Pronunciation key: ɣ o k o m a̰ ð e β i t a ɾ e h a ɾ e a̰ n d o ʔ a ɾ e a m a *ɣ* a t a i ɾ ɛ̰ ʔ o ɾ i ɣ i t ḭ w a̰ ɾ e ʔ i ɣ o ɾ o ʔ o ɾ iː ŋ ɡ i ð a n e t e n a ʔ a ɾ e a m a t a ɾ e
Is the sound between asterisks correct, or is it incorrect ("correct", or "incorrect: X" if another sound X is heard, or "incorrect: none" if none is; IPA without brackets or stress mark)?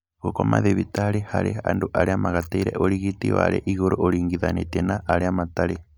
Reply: correct